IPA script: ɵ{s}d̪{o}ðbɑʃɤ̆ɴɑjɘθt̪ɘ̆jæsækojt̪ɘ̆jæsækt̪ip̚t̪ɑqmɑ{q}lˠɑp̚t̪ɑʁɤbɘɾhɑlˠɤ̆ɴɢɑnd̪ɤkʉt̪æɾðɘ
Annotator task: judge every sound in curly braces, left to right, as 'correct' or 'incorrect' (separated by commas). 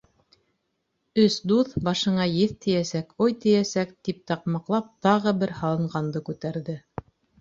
correct, incorrect, correct